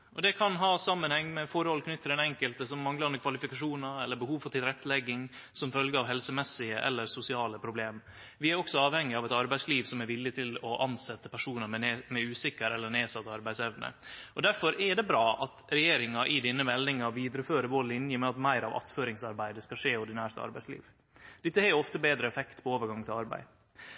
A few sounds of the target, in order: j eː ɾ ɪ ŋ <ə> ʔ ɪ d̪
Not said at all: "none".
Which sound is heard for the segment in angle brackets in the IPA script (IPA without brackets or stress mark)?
ɑ